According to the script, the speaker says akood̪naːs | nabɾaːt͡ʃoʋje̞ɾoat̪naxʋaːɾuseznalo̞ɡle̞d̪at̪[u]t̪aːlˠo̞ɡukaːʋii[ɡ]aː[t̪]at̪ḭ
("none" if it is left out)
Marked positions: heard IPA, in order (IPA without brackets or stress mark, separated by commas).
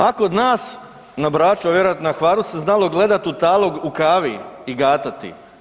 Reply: u, ɡ, t̪